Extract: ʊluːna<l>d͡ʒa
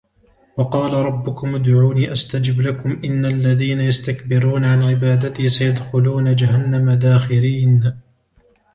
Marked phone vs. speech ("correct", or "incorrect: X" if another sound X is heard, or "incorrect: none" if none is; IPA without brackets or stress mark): incorrect: none